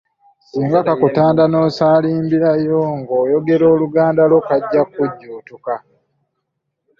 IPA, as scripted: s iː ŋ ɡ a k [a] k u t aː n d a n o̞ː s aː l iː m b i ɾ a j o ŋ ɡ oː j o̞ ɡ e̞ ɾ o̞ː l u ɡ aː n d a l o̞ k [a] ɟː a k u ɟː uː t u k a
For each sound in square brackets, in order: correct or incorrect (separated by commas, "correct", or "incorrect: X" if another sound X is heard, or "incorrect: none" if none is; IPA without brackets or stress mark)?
correct, correct